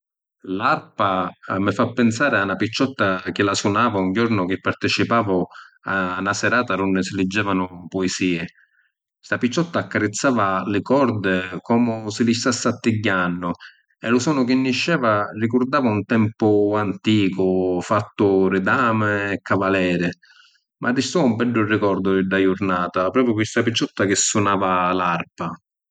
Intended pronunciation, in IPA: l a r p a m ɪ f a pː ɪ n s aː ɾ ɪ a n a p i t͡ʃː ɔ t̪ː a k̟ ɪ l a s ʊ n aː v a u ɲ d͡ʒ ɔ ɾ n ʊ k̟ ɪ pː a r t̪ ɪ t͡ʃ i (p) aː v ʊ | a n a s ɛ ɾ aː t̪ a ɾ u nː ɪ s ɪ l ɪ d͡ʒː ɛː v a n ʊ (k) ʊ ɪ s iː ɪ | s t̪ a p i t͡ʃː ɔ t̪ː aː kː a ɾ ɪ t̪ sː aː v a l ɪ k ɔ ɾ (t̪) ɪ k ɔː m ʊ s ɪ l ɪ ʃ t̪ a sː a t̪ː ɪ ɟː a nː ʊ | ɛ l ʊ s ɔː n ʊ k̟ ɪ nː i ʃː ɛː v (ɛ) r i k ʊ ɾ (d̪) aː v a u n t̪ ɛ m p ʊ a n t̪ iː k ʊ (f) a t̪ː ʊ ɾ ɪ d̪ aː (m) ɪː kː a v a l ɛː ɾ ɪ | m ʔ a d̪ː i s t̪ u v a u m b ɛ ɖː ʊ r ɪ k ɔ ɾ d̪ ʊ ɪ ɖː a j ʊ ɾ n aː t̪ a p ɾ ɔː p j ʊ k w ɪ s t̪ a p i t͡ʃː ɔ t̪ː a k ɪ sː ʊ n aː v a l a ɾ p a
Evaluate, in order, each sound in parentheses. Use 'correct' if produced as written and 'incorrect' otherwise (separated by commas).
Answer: correct, incorrect, incorrect, incorrect, correct, correct, correct